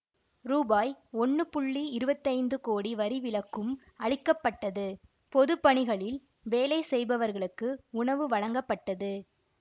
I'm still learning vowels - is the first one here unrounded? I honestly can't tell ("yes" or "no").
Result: no